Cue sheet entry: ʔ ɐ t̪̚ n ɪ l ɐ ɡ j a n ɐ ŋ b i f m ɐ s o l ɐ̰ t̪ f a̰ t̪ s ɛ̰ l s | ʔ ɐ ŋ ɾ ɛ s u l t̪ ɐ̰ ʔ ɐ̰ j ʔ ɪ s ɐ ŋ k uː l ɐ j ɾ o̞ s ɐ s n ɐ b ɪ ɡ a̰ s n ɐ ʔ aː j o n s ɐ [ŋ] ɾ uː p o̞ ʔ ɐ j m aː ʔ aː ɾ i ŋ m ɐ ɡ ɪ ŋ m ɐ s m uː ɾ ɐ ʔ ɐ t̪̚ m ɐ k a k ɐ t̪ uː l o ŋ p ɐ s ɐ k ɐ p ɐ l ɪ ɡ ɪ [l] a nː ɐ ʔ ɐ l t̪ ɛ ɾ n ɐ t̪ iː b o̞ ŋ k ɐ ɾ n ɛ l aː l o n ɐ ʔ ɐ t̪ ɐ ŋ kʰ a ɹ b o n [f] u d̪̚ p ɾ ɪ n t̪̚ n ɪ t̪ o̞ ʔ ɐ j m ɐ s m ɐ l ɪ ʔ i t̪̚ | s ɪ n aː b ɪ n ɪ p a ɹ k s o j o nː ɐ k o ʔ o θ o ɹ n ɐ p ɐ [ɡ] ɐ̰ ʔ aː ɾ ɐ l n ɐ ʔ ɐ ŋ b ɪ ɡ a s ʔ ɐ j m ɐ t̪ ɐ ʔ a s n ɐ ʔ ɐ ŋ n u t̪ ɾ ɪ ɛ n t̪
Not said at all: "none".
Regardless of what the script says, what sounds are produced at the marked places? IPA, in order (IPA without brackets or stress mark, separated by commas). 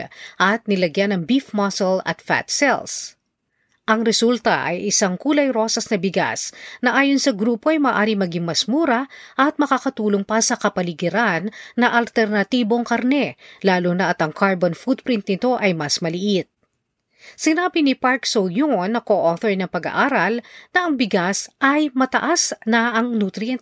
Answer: ɡ, ɾ, f, ɡ